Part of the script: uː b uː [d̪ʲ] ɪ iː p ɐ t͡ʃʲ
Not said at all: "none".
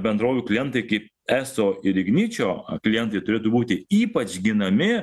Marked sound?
t̪ʲ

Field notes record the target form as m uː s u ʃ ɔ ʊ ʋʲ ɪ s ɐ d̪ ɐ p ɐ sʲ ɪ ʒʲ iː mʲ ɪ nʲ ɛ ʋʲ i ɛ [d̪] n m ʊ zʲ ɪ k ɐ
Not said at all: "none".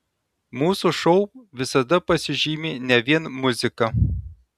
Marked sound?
none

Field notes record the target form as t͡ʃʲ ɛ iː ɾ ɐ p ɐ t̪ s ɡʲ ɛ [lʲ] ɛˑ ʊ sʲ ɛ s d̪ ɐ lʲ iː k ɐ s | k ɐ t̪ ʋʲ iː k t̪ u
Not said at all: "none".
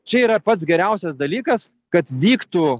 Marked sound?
ɾʲ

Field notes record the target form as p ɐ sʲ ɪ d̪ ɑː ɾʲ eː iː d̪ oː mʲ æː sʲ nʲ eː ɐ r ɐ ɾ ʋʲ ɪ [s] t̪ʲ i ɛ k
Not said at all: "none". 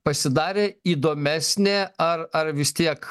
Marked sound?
s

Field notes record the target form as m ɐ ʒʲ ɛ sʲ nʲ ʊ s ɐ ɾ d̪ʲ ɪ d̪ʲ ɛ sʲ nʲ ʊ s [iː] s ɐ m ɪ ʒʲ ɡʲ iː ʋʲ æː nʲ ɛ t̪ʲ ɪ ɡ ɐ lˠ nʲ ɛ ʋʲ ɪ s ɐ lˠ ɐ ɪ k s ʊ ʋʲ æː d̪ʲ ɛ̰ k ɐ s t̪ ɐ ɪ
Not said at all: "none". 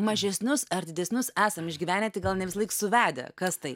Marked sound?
æː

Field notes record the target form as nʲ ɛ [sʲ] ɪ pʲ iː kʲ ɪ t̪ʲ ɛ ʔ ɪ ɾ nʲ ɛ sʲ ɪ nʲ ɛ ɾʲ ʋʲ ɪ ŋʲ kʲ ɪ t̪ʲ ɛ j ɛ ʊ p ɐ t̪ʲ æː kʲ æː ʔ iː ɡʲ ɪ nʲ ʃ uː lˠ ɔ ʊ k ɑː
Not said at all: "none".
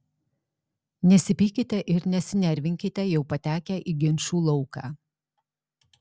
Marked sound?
sʲ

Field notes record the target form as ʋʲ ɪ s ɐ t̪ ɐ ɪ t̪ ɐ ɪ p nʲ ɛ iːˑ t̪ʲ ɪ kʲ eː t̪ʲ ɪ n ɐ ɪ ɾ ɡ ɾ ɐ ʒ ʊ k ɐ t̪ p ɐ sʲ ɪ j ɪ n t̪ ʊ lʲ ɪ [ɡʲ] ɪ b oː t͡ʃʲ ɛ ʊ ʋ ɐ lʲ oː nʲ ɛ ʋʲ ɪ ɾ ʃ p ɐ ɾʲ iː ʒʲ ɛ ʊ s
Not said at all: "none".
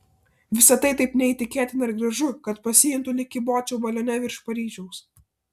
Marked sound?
kʲ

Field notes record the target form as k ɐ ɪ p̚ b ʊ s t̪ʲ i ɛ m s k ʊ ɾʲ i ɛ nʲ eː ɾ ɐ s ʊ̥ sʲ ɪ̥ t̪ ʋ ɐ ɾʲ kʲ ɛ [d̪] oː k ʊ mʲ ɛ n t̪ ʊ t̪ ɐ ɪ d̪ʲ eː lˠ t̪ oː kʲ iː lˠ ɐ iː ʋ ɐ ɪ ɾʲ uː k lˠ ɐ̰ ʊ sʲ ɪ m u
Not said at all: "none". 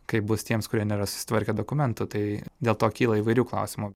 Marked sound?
d̪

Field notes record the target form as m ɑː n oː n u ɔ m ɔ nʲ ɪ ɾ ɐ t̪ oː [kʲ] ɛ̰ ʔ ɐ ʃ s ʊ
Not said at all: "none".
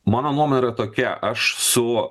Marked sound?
kʲ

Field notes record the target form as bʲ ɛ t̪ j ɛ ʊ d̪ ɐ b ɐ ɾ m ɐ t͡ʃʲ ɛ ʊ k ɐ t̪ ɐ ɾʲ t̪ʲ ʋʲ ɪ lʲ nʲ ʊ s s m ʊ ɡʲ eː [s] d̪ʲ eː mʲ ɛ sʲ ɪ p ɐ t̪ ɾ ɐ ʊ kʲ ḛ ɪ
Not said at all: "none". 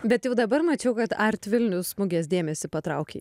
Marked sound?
s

